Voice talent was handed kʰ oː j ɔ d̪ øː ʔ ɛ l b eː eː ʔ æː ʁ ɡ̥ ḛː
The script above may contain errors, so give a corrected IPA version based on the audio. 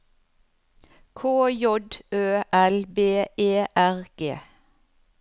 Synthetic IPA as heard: kʰ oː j ɔ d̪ øː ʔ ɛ l b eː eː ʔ æ ʁ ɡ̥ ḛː